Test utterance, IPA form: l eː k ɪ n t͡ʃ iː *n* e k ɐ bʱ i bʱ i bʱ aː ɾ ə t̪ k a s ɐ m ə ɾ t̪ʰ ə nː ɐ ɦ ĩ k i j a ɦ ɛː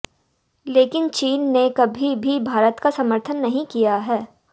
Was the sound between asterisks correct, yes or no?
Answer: no